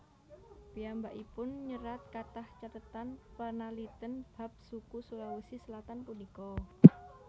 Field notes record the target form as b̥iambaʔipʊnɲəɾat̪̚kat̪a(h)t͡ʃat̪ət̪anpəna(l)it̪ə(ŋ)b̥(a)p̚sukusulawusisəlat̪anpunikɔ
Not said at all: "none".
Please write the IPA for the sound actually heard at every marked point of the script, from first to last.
h, l, n, a

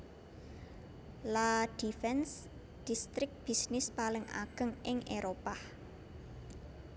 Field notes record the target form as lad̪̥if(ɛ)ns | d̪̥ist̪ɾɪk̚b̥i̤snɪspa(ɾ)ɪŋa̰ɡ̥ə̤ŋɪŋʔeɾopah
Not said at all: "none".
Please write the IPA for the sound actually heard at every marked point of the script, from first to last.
ɛ, l

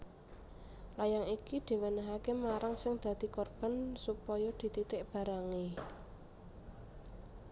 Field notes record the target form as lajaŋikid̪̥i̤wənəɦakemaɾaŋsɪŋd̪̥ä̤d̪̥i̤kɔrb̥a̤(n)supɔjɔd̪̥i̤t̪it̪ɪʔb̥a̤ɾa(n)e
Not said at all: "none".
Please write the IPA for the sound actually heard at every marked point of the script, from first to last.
n, ŋ

